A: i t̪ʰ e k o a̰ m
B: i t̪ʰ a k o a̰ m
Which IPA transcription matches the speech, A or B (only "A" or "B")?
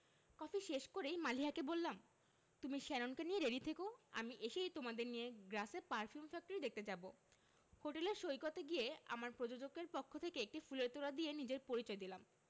A